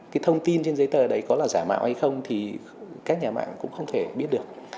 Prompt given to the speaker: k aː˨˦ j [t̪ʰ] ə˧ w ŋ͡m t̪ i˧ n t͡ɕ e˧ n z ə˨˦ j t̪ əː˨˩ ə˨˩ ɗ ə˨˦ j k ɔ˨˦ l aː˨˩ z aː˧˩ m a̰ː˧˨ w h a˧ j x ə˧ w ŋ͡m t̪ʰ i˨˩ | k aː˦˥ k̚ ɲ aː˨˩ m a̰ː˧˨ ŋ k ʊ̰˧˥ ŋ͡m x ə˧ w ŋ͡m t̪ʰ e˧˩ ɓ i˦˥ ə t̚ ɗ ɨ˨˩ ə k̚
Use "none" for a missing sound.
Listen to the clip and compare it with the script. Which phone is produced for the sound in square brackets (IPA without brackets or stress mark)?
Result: t̪ʰ